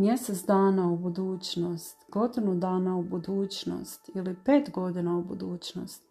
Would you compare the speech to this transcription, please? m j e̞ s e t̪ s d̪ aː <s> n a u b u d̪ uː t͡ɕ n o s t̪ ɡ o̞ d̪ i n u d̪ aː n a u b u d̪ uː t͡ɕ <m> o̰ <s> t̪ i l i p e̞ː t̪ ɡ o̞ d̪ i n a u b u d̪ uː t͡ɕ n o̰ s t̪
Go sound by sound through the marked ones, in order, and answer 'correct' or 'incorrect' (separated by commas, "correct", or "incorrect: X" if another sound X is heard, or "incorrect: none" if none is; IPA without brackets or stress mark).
incorrect: none, incorrect: n, correct